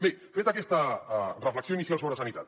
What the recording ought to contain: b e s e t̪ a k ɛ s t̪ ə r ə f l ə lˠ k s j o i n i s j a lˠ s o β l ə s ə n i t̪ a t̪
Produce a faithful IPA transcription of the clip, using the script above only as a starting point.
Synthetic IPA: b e f e t̪ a k ɛ s t̪ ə r ə f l ə k s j o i n i s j a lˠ s o β ɾ ə s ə n i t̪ a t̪